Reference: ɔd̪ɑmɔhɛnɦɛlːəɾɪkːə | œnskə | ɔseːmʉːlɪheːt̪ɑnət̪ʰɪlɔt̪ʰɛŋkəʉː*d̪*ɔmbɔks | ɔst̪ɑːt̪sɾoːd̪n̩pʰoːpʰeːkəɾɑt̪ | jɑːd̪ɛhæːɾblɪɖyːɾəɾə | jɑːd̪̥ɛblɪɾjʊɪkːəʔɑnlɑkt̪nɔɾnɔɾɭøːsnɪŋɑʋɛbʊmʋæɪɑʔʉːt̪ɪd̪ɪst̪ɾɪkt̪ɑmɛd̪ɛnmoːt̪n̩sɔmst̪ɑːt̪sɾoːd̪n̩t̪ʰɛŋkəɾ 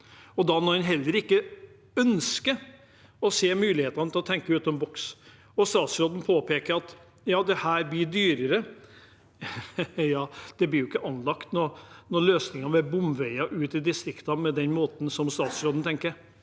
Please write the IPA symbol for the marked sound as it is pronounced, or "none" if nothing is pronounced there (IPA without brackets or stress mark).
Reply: t̪